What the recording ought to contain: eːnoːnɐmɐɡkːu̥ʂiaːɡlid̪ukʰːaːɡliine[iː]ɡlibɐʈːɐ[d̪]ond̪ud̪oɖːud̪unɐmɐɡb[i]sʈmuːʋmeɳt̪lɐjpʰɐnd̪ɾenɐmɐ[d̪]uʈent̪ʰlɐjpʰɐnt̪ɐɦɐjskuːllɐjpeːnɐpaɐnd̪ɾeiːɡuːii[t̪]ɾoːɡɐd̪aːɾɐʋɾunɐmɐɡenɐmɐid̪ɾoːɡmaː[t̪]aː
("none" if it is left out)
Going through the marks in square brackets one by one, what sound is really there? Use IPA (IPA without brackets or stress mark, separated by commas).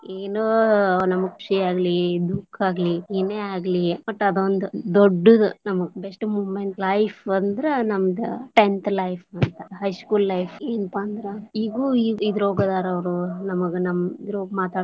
aː, d̪, e, d̪, d̪, t̪